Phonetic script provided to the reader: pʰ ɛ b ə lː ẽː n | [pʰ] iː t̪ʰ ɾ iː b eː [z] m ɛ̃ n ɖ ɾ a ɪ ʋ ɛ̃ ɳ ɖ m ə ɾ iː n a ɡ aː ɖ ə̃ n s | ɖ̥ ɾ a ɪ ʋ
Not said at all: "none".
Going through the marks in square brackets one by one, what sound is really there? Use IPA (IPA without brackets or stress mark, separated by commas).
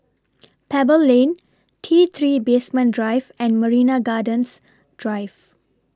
ʈʰ, s